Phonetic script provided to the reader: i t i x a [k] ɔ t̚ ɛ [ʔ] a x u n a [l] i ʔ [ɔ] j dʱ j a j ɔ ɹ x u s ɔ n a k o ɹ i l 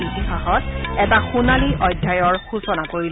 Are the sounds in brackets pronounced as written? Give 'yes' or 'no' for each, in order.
no, no, yes, yes

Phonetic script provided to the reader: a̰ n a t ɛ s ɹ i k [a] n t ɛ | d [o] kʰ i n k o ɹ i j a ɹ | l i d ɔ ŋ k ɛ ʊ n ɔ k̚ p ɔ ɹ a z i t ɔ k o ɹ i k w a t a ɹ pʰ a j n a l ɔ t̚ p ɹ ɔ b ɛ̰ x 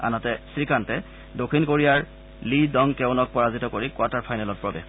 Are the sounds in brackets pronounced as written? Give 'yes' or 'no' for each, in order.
yes, yes

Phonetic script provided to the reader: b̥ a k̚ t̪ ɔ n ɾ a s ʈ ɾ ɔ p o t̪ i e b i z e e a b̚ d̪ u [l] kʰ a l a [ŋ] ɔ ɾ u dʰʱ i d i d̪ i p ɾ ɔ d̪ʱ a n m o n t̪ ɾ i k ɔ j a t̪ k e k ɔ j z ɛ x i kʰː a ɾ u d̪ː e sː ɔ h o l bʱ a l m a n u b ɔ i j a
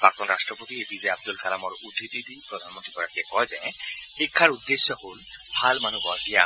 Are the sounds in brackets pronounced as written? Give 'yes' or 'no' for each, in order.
yes, no

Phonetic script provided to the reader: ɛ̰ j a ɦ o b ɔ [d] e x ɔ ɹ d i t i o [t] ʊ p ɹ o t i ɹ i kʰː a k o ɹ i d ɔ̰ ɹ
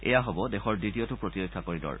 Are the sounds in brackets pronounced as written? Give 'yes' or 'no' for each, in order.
yes, yes

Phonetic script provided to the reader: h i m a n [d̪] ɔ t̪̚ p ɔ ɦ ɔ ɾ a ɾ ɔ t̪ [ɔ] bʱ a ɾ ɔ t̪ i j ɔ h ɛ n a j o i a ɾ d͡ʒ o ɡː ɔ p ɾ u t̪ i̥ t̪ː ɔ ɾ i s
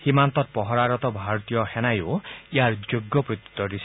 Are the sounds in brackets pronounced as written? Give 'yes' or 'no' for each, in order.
no, yes

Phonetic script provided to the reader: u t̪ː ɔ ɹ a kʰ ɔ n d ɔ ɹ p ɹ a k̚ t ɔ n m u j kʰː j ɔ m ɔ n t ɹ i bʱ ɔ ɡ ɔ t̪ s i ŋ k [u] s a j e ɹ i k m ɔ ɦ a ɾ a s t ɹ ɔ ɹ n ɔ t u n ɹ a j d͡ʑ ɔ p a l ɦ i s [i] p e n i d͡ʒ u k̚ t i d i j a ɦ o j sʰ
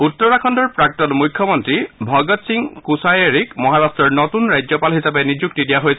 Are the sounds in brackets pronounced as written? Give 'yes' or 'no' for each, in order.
yes, no

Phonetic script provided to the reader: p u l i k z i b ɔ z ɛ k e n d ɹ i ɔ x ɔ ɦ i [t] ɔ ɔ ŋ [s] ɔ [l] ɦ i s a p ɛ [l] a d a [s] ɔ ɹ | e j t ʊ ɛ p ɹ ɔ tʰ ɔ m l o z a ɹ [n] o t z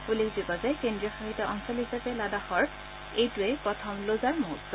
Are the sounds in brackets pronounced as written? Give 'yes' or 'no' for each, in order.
yes, yes, yes, yes, no, no

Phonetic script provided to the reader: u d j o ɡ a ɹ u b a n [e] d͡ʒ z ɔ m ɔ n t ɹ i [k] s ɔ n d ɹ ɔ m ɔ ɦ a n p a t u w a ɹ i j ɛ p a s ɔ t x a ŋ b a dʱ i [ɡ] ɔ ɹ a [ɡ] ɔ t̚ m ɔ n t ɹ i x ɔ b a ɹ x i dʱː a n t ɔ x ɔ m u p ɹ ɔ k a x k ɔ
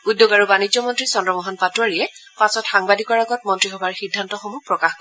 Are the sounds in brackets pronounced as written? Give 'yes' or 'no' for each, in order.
no, no, no, yes

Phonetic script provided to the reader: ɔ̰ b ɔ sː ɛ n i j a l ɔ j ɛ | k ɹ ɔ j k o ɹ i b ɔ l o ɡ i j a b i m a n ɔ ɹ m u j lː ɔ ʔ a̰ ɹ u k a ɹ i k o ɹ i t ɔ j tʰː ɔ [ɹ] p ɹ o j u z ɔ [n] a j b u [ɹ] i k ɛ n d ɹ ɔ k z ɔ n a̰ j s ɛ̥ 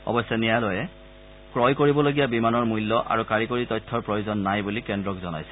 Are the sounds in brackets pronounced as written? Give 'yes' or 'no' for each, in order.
yes, no, no

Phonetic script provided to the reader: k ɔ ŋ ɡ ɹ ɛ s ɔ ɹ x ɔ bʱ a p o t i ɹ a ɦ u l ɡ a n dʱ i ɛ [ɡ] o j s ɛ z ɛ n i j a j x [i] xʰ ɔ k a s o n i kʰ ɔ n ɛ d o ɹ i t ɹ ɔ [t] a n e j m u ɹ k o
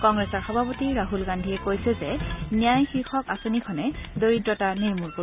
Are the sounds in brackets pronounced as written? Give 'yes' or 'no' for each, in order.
no, yes, yes

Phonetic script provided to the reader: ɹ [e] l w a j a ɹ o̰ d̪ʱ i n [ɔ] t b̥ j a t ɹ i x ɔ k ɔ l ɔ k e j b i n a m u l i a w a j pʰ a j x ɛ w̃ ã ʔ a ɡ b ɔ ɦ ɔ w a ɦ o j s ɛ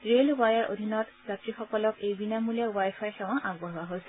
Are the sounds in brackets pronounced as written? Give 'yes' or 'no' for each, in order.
yes, yes

